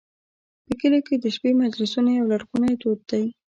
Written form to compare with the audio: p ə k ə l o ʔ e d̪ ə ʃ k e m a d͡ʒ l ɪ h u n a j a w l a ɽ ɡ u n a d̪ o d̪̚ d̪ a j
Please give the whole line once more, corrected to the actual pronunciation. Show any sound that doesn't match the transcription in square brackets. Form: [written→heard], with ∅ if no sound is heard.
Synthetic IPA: p ə k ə l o [ʔ→k] e d̪ ə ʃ [k→p] e m a d͡ʒ l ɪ [h→s] u n a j a w l a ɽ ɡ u n a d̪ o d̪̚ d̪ a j